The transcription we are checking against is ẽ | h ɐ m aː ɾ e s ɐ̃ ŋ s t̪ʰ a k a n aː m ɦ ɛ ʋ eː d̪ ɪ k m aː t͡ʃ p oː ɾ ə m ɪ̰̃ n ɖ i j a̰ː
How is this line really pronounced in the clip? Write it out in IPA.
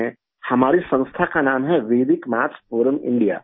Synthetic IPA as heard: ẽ | h ɐ m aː ɾ i s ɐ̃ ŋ s t̪ʰ a k a n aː m ɦ ɛ ʋ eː d̪ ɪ k m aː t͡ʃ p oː ɾ ə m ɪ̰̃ ɳ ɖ i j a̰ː